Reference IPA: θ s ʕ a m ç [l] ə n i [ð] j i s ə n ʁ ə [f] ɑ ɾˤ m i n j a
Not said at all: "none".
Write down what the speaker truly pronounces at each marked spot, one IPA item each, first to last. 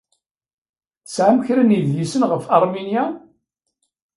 ɾ, ð, f

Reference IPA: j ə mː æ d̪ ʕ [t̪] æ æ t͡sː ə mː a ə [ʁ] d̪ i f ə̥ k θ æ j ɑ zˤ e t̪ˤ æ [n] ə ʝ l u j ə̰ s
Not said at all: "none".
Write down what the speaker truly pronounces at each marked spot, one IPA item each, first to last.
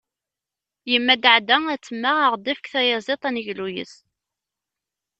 d̪, ʁ, n

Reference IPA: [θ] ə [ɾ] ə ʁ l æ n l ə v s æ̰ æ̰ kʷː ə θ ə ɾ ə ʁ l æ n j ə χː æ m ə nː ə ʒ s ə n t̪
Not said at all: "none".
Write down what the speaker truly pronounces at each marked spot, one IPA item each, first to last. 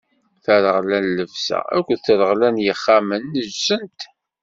θ, ɾ

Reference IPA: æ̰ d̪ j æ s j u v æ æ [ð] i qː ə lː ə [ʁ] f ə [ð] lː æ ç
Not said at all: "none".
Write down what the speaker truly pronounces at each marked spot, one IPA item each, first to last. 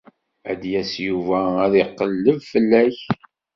ð, v, none

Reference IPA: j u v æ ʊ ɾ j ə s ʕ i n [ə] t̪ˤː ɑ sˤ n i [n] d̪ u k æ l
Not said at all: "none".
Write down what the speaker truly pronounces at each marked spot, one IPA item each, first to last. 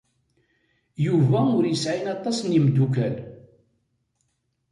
ɑ, m

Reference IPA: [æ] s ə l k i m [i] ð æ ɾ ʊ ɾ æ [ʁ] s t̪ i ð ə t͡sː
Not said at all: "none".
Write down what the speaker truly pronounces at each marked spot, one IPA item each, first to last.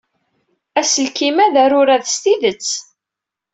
æ, æ, ð

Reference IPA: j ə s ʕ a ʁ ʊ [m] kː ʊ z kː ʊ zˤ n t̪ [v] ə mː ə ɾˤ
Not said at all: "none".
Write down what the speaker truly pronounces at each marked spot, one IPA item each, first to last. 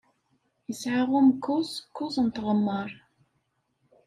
m, ʁ

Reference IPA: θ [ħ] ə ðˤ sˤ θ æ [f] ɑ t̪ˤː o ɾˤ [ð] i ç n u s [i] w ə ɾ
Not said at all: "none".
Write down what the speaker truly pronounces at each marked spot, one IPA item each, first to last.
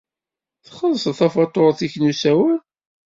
χ, f, θ, æ

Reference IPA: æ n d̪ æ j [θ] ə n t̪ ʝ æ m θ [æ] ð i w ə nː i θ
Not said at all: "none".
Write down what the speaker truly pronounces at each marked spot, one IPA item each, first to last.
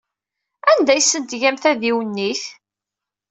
s, æ

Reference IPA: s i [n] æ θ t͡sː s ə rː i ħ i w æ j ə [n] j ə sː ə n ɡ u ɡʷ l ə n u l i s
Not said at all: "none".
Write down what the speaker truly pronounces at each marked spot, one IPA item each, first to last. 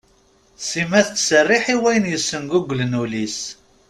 m, n

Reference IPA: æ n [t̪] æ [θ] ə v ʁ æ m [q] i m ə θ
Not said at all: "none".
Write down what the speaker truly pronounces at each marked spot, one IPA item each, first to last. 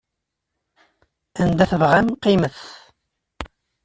d̪, θ, q

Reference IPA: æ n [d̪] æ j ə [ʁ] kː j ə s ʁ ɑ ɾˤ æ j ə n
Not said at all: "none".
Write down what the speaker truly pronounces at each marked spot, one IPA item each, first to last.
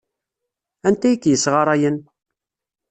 t̪, none

